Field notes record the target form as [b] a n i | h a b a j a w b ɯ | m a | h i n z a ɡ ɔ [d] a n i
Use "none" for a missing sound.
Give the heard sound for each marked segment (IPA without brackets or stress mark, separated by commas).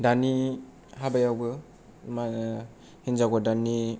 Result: d, d